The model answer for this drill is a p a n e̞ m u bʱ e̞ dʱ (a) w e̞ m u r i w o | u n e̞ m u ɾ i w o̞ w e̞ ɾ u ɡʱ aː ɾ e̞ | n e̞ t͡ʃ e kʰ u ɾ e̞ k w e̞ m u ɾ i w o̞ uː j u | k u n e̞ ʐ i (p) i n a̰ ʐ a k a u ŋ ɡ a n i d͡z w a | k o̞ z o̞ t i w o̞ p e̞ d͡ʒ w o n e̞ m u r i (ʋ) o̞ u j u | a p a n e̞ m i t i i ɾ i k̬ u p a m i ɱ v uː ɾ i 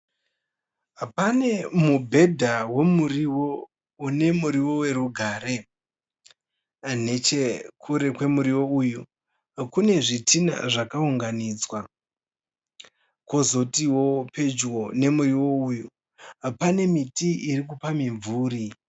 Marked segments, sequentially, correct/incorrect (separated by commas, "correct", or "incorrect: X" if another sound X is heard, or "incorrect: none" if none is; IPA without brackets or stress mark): correct, incorrect: t, incorrect: w